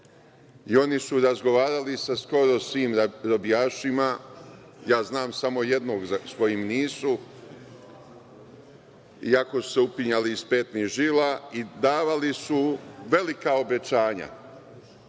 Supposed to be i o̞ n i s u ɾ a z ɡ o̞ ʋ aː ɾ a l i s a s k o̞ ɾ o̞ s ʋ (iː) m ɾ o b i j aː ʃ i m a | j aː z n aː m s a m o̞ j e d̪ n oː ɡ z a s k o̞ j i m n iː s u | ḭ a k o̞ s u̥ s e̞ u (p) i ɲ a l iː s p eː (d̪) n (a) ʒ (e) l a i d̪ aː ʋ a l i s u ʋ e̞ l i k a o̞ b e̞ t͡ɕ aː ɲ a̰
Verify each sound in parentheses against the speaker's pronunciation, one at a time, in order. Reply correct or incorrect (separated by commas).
correct, correct, incorrect, incorrect, incorrect